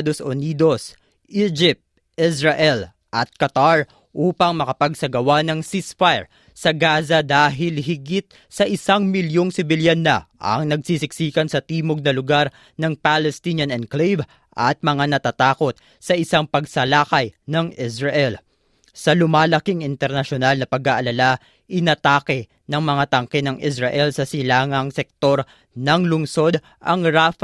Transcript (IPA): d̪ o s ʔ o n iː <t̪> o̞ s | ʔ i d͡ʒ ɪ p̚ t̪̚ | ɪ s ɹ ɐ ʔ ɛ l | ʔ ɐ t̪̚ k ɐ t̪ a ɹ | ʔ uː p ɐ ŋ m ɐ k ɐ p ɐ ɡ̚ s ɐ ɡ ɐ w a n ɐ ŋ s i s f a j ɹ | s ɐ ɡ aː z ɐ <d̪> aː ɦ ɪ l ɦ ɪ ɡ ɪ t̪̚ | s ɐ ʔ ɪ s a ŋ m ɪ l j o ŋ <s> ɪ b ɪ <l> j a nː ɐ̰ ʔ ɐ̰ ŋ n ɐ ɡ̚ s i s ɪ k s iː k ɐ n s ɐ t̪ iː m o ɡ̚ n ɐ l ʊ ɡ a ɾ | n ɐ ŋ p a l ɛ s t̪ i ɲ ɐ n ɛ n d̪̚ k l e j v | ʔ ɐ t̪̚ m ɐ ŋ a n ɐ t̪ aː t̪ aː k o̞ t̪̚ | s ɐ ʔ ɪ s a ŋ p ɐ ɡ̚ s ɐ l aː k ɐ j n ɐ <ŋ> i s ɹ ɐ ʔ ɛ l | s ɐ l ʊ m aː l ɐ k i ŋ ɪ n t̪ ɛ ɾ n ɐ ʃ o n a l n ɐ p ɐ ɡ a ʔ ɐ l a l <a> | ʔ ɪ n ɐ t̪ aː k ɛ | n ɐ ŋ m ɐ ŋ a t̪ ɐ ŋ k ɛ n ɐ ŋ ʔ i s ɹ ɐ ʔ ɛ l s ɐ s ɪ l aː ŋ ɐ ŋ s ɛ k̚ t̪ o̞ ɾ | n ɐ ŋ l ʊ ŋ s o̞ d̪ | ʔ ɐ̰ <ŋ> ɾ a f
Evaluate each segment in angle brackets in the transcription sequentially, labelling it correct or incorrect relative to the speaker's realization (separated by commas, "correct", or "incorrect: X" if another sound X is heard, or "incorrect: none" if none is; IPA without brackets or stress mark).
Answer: incorrect: d̪, correct, correct, correct, correct, correct, correct